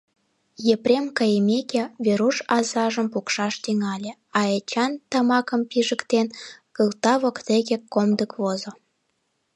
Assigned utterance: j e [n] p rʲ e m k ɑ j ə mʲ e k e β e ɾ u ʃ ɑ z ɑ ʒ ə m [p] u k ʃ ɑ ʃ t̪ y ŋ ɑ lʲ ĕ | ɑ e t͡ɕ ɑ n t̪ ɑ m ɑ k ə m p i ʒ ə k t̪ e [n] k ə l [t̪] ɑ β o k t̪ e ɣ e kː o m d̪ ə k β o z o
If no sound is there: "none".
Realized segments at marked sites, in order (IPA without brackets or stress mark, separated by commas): none, p, n, t̪